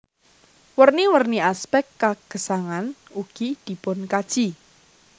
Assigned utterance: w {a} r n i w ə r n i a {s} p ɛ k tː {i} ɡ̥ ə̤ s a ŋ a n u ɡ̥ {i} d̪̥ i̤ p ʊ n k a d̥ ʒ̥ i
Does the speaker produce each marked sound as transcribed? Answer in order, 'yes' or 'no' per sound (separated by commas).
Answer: no, yes, no, yes